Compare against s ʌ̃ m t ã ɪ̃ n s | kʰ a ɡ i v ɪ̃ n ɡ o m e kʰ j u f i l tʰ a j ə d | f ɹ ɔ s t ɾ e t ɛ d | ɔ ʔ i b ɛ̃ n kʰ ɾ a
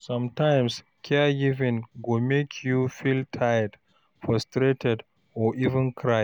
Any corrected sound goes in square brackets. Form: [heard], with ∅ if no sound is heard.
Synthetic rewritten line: s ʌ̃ m t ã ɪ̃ [m] s | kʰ [ɛ] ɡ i v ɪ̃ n ɡ o m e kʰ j u f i l tʰ a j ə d | f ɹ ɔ s t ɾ e t ɛ d | ɔ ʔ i [v] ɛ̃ n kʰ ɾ a